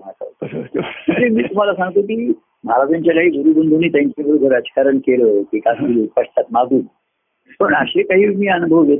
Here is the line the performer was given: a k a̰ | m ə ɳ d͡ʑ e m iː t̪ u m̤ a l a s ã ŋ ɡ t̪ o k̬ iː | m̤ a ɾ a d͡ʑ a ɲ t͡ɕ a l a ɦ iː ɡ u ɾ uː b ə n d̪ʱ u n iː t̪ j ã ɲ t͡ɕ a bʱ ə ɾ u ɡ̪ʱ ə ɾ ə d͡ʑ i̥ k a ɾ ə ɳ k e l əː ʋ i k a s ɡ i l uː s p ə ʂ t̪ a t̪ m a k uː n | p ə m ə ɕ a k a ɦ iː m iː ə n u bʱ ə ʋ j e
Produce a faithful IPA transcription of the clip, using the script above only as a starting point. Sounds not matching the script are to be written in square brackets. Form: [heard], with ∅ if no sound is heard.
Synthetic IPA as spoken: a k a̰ | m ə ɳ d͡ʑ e m iː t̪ u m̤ a l a s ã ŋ ɡ t̪ o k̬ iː | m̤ a ɾ a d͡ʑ a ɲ t͡ɕ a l a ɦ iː ɡ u ɾ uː b ə n d̪ʱ u n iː t̪ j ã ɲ t͡ɕ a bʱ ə ɾ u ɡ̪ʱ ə ɾ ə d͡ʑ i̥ k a ɾ ə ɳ k e l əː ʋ i k a s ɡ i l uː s p ə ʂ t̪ a t̪ m a [ɡ] uː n | p ə [ɳ] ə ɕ [e] k a ɦ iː m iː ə n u bʱ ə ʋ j e